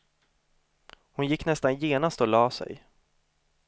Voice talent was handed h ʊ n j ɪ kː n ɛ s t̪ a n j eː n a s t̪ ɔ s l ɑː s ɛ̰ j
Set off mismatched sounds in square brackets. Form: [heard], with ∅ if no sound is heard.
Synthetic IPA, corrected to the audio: h ʊ n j ɪ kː n ɛ s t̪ a n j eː n a s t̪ ɔ [∅] l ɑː s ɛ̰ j